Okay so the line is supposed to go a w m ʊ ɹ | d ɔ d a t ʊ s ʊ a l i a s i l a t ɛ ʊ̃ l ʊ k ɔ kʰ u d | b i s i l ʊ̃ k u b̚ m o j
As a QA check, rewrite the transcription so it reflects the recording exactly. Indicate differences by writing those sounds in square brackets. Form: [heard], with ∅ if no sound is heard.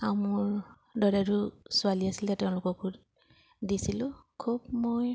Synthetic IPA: a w m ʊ ɹ | d ɔ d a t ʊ s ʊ a l i a s i l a t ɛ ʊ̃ l ʊ k ɔ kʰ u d | [d] i s i l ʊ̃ [kʰ] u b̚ m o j